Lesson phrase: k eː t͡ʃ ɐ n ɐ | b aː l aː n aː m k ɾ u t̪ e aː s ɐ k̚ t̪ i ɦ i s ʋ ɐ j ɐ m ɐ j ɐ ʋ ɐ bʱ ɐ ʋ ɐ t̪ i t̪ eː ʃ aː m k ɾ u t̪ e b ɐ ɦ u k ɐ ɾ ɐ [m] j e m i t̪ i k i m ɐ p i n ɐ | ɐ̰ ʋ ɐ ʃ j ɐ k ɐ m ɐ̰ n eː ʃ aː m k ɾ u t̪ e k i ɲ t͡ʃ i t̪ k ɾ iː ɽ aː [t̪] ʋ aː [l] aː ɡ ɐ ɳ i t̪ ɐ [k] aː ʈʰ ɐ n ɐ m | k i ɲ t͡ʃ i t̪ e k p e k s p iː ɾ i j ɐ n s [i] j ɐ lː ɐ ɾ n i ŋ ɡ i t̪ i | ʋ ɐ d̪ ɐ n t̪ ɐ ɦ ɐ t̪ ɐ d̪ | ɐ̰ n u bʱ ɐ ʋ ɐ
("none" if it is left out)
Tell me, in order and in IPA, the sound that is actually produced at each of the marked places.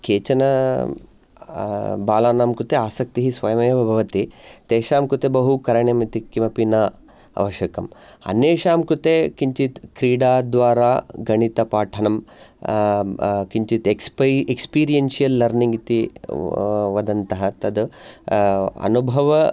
ɳ, d̪, ɾ, p, i

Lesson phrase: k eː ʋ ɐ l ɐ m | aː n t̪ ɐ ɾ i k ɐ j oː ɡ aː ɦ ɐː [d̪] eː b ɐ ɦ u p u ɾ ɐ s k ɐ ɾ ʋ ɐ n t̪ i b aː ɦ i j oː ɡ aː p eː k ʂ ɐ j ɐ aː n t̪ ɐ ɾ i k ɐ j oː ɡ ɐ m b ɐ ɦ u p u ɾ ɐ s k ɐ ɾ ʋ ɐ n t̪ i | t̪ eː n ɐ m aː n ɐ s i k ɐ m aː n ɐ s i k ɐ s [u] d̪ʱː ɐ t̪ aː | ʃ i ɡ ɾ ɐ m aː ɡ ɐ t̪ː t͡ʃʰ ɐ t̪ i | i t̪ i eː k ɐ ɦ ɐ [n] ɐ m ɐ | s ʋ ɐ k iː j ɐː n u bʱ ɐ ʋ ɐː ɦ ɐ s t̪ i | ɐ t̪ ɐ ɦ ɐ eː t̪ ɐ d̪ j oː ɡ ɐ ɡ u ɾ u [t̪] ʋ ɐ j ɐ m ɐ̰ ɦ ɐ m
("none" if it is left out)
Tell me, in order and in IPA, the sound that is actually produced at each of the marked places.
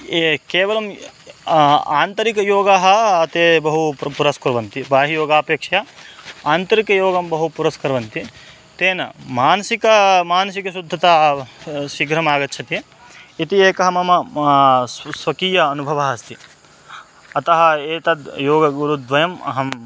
t̪, u, m, d̪

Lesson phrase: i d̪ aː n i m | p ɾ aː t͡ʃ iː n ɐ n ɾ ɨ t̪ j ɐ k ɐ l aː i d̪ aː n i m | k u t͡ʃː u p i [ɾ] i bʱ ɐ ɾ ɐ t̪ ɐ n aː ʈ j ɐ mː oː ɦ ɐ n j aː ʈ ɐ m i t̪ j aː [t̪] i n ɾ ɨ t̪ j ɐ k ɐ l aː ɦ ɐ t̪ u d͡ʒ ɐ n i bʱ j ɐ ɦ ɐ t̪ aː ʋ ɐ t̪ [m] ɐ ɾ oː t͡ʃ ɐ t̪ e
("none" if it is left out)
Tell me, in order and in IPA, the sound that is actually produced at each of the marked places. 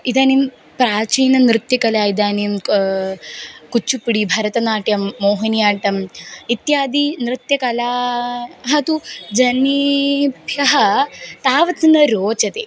ɽ, d̪, n

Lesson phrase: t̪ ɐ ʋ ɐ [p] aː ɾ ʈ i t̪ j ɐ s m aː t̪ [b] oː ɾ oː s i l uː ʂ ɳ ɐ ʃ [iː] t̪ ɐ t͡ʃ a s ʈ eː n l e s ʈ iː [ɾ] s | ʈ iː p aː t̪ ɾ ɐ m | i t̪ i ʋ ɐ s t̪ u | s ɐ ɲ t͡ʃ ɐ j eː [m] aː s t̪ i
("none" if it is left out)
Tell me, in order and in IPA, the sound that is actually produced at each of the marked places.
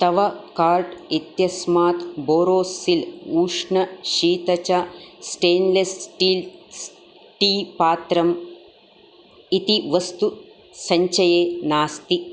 k, b, iː, l, n

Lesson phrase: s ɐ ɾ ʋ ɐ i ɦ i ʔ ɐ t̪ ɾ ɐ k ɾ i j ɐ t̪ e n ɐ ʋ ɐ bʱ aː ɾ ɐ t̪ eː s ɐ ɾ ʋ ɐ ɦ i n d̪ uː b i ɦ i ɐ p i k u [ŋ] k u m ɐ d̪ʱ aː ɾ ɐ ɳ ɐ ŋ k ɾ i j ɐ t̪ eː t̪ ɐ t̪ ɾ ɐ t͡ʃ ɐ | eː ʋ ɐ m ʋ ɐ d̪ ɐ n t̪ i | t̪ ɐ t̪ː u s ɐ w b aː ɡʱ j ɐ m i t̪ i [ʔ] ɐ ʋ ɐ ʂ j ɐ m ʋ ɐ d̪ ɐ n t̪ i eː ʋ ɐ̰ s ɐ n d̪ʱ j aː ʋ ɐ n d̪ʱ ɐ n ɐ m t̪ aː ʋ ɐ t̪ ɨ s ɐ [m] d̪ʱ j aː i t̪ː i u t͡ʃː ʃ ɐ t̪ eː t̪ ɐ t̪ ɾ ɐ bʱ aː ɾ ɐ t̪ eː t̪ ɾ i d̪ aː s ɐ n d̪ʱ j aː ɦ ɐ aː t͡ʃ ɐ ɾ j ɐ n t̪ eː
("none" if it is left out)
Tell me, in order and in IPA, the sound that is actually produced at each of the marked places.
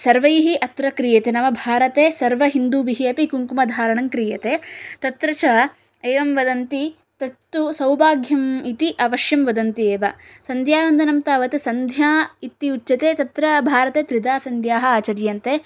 ŋ, ʔ, n

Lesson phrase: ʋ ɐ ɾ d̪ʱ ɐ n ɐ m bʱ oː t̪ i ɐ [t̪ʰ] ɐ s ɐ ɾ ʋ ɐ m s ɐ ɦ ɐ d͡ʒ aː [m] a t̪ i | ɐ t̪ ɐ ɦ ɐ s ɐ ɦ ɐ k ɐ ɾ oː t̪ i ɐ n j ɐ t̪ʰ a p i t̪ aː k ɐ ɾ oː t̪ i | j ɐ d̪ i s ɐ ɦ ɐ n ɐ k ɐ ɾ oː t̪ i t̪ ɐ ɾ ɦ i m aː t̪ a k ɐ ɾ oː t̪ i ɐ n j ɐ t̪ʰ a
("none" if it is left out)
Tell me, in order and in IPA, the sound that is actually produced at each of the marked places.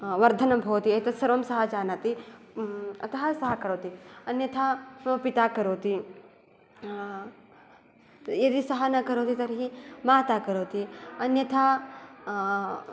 t̪, n

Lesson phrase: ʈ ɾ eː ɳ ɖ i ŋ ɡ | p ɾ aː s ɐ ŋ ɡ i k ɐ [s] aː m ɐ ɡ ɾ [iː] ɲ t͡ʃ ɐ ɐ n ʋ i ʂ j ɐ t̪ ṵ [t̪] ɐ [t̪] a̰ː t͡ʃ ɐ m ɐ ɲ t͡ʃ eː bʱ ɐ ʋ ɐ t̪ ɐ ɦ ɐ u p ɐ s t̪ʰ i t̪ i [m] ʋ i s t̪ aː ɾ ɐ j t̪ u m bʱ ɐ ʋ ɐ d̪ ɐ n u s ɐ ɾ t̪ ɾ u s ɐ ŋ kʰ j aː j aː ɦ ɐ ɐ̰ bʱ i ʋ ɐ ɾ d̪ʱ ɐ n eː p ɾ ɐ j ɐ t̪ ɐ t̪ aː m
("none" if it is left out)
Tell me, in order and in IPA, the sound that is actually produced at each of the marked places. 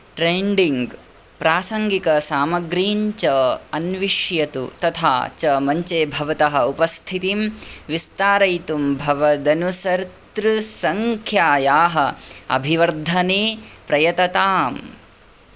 s, iː, t̪, t̪ʰ, m

